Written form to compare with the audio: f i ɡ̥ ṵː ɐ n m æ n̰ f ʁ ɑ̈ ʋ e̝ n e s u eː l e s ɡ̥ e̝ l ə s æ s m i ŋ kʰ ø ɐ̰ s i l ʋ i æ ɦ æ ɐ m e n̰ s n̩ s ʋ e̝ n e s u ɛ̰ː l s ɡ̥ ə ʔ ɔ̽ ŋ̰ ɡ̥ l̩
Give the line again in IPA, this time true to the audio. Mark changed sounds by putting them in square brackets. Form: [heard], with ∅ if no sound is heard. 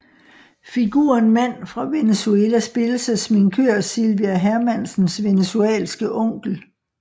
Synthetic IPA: f i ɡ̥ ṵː ɐ n m æ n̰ f ʁ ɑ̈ ʋ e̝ n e s u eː l [æ] s [b̥] e̝ l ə s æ s m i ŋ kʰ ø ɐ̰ s i l ʋ i æ ɦ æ ɐ m [æ] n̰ s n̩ s ʋ e̝ n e s u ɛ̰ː l s ɡ̥ ə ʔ ɔ̽ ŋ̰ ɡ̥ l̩